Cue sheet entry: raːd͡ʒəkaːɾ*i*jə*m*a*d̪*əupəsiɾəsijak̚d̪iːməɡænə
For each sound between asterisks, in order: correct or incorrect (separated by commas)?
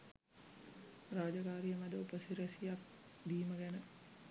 correct, correct, correct